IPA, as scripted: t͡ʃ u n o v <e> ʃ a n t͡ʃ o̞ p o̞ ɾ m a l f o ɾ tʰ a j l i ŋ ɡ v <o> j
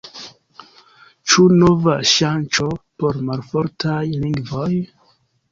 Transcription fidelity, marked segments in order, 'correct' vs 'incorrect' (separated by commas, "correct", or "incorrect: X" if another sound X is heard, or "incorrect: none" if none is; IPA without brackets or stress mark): incorrect: a, correct